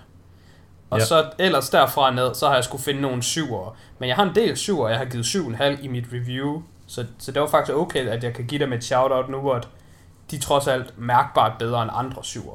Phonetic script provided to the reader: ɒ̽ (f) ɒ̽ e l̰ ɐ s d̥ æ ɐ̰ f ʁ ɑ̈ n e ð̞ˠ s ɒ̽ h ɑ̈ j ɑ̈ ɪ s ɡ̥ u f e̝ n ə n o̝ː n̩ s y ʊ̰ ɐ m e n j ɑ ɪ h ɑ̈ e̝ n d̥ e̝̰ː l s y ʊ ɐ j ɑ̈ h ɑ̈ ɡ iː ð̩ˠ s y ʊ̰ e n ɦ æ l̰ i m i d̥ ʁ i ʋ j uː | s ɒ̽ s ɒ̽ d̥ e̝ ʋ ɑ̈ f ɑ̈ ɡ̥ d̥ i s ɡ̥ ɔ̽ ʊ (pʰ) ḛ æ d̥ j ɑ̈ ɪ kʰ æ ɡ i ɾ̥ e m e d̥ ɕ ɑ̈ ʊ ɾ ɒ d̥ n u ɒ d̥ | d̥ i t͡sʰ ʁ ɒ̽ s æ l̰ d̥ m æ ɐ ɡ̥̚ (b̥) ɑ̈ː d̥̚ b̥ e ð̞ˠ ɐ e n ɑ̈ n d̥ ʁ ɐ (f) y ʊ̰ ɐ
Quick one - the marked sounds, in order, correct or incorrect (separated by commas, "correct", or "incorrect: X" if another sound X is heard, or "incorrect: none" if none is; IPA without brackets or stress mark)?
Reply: incorrect: s, incorrect: kʰ, correct, incorrect: s